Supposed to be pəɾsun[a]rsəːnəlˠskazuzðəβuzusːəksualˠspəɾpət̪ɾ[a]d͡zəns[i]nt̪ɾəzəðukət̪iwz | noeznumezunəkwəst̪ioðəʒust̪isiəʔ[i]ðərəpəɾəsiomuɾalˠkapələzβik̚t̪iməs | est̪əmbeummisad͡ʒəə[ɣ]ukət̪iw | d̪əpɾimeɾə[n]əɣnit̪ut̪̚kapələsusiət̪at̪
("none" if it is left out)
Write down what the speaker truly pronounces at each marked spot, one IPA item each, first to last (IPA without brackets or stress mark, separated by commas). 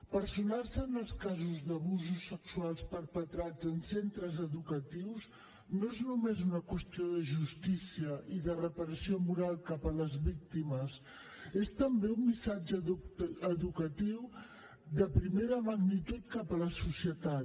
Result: a, a, e, i, ð, m